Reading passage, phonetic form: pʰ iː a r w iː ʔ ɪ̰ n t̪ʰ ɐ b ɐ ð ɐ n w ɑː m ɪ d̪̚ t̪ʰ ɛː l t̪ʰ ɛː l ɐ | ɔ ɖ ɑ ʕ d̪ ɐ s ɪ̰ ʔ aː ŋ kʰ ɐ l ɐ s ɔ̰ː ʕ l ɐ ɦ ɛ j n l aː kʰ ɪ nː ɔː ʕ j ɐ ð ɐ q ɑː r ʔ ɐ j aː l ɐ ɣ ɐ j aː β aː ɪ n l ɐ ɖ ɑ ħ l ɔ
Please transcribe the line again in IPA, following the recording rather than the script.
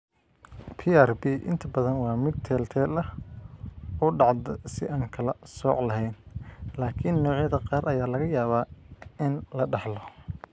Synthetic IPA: pʰ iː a r b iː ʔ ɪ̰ n t̪ʰ ɐ b ɐ ð ɐ n w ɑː m ɪ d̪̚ t̪ʰ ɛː l t̪ʰ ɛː l ɐ | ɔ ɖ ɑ ʕ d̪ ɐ s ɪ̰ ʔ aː ŋ kʰ ɐ l ɐ s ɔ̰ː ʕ l ɐ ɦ ɛ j n l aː kʰ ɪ nː ɔː ʕ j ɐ ð ɐ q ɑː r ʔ ɐ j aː l ɐ ɣ ɐ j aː β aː ɪ n l ɐ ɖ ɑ ħ l ɔ

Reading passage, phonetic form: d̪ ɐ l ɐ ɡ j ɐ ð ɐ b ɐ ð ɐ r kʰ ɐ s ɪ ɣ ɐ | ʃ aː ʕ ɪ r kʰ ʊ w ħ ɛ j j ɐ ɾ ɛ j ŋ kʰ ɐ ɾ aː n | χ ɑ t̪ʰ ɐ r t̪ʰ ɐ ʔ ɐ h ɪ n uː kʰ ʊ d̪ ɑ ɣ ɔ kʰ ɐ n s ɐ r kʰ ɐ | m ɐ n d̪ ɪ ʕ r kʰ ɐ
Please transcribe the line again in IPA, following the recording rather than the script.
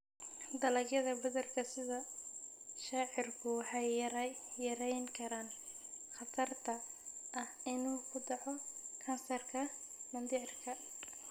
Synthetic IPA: d̪ ɐ l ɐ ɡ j ɐ ð ɐ b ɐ ð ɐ r kʰ ɐ s ɪ ð ɐ | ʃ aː ʕ ɪ r kʰ ʊ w ħ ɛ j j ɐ ɾ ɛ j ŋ kʰ ɐ ɾ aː n | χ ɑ t̪ʰ ɐ r t̪ʰ ɐ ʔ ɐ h ɪ n uː kʰ ʊ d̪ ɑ ʕ ɔ kʰ ɐ n s ɐ r kʰ ɐ | m ɐ n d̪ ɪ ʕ r kʰ ɐ

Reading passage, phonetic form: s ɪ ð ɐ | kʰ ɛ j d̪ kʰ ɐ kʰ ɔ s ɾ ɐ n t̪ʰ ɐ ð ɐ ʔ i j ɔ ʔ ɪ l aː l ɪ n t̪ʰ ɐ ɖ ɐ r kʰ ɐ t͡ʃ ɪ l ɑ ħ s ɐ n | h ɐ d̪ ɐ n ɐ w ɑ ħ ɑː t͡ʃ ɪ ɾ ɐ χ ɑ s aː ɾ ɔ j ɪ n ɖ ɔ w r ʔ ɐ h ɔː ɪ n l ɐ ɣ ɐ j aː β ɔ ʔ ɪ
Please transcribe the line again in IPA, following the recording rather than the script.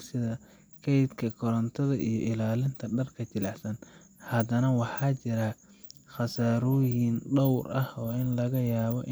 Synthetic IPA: s ɪ ð ɐ | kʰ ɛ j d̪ kʰ ɐ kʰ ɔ ɾ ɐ n t̪ʰ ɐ ð ɐ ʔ i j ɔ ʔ ɪ l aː l ɪ n t̪ʰ ɐ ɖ ɐ r kʰ ɐ t͡ʃ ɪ l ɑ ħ s ɐ n | h ɐ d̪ ɐ n ɐ w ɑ ħ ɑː t͡ʃ ɪ ɾ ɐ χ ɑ s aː ɾ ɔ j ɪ n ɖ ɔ w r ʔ ɐ h ɔː ɪ n l ɐ ɣ ɐ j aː β ɔ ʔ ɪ

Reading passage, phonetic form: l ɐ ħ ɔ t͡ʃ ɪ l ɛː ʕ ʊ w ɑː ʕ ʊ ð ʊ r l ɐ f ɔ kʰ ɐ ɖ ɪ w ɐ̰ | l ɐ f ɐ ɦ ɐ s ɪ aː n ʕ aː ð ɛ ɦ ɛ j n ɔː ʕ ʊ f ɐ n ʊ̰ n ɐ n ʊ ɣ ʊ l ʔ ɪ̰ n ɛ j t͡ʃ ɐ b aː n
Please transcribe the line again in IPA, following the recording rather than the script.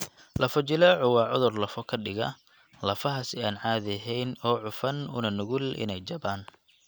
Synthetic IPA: l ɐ f ɔ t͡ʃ ɪ l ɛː ʕ ʊ w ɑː ʕ ʊ ð ʊ r l ɐ f ɔ kʰ ɐ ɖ ɪ ɣ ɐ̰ | l ɐ f ɐ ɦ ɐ s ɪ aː n ʕ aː ð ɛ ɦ ɛ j n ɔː ʕ ʊ f ɐ n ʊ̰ n ɐ n ʊ ɣ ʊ l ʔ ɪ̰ n ɛ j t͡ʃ ɐ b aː n

